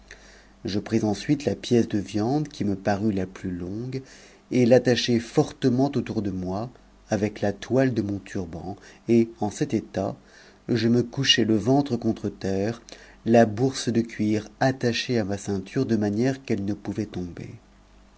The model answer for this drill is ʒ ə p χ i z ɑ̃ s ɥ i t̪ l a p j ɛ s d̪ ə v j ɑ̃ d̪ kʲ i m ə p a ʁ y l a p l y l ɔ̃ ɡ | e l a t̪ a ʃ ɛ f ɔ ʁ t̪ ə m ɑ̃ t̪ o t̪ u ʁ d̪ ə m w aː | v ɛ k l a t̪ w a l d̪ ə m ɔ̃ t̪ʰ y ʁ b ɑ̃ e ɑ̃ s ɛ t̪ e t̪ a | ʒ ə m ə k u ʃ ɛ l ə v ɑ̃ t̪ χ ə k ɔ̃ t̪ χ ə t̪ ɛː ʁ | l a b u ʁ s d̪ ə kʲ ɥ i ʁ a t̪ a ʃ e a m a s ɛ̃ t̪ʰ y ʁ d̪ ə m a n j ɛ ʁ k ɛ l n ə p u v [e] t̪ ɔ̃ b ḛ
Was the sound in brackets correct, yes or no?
no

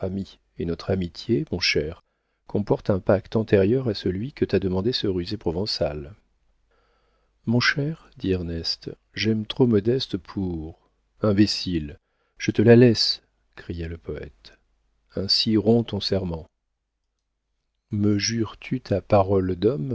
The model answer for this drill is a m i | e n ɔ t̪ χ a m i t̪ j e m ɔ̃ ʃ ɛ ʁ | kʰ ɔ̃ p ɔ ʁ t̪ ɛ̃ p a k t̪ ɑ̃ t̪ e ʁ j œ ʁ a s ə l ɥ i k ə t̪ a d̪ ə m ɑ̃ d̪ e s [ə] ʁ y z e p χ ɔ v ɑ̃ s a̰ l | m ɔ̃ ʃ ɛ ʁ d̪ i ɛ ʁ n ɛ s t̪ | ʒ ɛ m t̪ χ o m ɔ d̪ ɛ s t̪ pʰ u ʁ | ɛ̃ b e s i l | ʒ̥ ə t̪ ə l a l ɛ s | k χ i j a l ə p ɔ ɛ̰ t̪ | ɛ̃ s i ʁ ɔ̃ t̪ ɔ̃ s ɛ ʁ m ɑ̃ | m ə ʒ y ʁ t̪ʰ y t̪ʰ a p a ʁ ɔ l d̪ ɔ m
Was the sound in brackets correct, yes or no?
yes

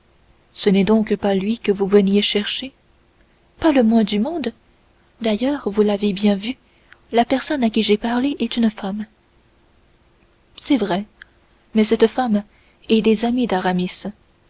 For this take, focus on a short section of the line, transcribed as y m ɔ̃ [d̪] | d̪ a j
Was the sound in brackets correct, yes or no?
yes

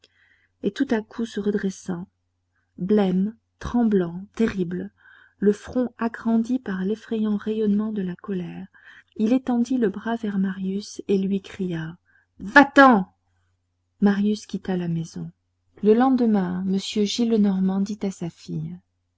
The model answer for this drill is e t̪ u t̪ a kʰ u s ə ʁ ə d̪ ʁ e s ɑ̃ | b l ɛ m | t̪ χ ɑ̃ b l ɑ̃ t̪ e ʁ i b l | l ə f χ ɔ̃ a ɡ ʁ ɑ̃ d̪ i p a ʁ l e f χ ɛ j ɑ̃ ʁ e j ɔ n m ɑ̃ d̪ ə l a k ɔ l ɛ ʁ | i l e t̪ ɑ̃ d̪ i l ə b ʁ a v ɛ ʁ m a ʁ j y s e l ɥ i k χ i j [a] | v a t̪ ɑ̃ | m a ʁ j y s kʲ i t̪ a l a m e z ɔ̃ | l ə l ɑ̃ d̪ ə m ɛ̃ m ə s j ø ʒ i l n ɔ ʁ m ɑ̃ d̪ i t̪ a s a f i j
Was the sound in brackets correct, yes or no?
yes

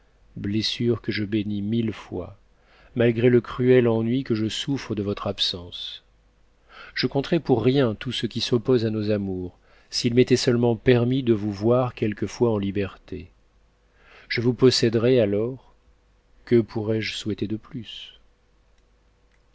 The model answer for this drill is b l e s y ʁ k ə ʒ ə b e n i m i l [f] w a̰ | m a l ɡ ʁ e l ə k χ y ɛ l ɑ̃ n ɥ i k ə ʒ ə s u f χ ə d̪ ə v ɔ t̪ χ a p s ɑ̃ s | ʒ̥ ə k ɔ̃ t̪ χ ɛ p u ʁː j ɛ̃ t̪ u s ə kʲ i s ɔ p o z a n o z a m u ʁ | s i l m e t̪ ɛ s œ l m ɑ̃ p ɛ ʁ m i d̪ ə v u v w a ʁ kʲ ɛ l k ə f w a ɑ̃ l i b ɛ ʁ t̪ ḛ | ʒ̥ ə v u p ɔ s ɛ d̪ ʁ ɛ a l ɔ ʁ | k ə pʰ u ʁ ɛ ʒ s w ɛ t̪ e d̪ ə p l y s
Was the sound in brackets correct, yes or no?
yes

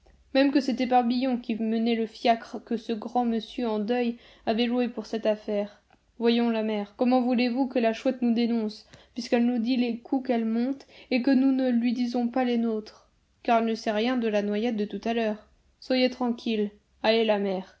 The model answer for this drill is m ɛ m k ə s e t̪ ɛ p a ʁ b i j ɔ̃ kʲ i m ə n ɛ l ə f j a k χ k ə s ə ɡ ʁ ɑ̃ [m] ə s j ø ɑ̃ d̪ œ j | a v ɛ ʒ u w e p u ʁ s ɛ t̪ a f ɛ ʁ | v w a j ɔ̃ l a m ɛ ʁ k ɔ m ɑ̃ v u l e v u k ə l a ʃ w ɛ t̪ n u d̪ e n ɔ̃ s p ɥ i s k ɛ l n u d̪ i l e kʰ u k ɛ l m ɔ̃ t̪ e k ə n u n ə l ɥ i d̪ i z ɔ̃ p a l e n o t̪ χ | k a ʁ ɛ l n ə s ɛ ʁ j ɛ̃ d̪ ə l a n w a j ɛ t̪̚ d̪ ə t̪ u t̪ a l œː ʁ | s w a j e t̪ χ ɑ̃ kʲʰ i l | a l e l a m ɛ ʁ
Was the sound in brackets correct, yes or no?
yes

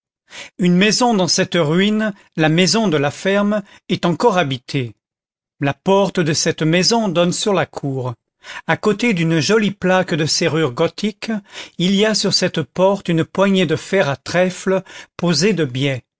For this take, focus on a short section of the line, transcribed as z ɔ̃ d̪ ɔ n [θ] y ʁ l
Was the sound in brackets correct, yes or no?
no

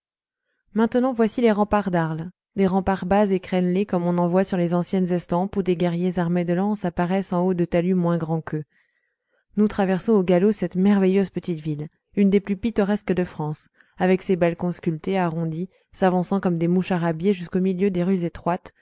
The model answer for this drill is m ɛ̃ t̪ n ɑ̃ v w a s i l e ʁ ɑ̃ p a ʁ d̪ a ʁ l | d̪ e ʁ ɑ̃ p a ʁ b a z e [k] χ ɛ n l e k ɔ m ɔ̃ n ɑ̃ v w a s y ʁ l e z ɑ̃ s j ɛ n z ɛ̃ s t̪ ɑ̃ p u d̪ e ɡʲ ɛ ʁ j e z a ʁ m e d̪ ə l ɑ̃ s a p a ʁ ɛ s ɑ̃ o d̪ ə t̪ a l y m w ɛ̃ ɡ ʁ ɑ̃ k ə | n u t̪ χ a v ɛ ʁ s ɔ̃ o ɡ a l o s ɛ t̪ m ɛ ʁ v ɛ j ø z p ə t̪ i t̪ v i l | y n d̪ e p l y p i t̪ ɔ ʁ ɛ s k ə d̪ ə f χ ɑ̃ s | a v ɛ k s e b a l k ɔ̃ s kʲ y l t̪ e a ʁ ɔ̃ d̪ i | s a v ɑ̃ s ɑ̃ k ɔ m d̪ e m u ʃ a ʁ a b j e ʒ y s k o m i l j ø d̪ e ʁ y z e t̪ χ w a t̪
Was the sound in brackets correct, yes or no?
yes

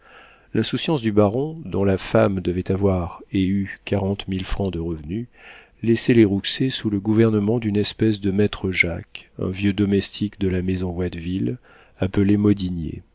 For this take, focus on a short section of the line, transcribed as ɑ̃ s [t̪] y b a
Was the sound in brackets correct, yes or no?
no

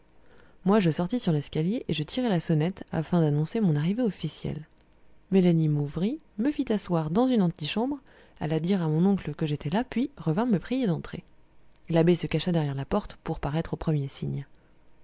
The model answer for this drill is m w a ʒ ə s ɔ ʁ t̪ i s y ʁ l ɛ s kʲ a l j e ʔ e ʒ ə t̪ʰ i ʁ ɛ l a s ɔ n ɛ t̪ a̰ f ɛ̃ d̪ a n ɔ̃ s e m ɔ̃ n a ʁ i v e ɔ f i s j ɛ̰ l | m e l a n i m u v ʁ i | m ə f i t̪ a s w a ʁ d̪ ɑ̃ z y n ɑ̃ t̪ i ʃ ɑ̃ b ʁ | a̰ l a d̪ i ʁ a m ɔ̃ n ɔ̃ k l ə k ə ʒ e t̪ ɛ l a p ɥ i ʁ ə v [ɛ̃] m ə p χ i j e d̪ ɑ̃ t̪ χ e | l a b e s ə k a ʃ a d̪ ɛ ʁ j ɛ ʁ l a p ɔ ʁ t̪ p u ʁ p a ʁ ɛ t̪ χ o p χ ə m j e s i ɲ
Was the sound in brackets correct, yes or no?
yes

